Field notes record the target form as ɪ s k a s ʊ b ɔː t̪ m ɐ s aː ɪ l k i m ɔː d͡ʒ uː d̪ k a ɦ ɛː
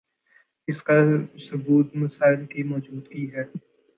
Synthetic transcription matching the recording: ɪ s k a s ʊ b uː t̪ m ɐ s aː ɪ l k i m ɔː d͡ʒ uː d̪ k i ɦ ɛː